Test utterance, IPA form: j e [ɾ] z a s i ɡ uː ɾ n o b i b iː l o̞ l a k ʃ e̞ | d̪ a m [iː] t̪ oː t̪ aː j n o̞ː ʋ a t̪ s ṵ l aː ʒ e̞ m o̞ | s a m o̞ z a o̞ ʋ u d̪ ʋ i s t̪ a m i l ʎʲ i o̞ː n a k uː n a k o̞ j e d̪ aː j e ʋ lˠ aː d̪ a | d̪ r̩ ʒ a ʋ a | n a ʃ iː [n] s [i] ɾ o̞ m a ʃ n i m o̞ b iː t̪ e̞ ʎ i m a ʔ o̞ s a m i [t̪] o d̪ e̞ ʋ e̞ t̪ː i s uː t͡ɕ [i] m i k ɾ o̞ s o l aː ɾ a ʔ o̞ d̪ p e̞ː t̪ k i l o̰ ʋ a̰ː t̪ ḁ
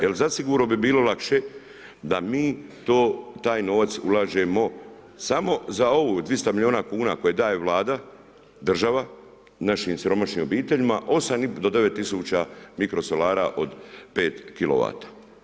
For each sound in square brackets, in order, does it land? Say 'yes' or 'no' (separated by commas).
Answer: no, yes, no, yes, no, no